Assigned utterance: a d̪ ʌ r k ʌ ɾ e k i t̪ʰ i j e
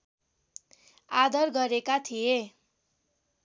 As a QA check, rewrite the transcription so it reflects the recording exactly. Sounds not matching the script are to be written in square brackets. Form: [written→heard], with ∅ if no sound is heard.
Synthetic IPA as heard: a d̪ ʌ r [k→ɡ] ʌ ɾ e k [i→a] t̪ʰ i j e